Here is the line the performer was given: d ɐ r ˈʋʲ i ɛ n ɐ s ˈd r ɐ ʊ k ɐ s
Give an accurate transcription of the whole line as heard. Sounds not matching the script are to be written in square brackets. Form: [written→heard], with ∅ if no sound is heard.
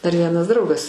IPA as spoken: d ɐ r ˈʋʲ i ɛ n ɐ s ˈd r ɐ ʊ [k→ɡ] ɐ s